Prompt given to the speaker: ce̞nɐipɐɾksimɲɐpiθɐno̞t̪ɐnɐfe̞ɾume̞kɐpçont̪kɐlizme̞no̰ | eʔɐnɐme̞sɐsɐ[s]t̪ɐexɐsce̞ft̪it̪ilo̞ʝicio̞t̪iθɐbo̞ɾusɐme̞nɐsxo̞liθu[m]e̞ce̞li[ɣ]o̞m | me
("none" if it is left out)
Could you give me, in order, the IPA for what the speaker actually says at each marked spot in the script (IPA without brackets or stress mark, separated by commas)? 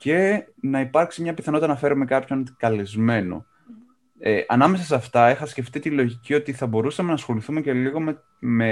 f, m, ɣ